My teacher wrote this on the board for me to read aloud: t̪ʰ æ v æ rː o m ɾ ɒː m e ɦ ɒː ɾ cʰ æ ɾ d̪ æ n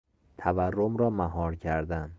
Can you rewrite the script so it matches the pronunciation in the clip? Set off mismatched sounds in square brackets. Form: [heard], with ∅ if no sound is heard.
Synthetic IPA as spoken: t̪ʰ æ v æ rː o m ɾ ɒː m [æ] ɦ ɒː ɾ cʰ æ ɾ d̪ æ n